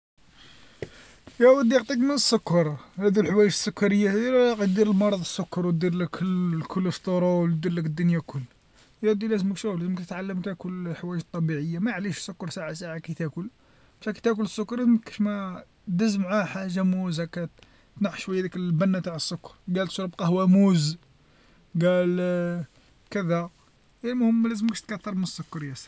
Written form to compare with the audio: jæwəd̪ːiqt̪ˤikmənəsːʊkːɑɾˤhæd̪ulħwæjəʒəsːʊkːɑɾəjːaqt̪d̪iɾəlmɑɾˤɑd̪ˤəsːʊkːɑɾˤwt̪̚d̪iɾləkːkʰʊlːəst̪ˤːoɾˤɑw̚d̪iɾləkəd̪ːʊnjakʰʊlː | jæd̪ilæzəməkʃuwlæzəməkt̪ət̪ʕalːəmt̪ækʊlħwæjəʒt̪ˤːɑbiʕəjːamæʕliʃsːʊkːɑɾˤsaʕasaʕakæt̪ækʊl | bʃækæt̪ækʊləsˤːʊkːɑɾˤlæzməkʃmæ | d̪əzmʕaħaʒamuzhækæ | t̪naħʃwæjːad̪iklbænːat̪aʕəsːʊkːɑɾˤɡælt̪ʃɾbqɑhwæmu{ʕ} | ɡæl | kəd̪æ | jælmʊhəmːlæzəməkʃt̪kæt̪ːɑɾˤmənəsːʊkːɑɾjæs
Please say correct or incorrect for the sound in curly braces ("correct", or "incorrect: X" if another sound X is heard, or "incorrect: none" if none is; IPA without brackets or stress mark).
incorrect: z